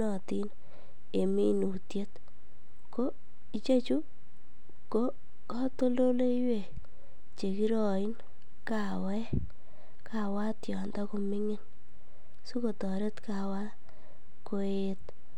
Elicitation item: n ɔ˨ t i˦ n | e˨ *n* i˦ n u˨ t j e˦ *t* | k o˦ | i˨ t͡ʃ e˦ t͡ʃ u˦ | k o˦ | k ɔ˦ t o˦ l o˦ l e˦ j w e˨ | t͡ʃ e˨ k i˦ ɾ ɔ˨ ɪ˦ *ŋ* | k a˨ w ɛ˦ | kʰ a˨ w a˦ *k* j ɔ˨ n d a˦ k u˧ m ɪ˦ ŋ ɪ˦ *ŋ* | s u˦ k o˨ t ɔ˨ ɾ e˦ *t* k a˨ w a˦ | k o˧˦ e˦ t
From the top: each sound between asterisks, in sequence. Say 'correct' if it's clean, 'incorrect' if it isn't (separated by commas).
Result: incorrect, correct, incorrect, incorrect, incorrect, correct